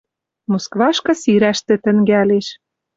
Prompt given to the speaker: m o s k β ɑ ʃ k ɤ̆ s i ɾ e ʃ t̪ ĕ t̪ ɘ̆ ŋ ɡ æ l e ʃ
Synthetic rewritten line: m o s k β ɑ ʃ k ɤ̆ s i ɾ æ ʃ t̪ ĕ t̪ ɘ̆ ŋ ɡ æ l e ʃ